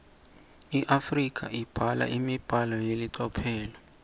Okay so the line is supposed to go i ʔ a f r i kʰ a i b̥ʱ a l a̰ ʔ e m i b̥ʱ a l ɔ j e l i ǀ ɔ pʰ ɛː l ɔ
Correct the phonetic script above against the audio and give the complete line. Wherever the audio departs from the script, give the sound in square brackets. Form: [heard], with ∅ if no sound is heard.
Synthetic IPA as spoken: i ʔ a f r i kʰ a i b̥ʱ a l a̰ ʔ [i] m i b̥ʱ a l ɔ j e l i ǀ ɔ pʰ ɛː l ɔ